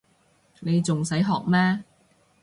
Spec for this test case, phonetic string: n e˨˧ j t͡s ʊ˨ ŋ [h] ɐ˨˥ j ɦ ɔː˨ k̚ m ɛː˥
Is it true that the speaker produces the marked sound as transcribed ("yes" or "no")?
no